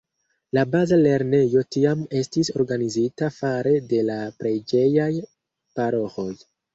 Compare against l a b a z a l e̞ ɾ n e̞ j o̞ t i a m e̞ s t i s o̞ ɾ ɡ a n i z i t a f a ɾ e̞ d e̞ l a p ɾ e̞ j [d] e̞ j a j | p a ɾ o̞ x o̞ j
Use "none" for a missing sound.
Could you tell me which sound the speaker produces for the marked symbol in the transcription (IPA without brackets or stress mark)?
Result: d͡ʒ